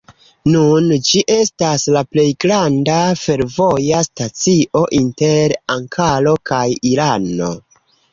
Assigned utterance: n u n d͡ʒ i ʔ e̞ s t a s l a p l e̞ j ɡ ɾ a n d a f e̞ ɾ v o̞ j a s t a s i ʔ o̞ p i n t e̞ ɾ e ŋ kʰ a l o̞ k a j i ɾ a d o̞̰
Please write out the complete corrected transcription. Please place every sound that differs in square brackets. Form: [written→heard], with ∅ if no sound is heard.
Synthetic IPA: n u n d͡ʒ i ʔ e̞ s t a s l a p l e̞ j ɡ ɾ a n d a f e̞ ɾ v o̞ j a s t a [s→t͡s] i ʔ o̞ [p→ʔ] i n t e̞ ɾ [e→a] ŋ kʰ a l o̞ k a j i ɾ a [d→n] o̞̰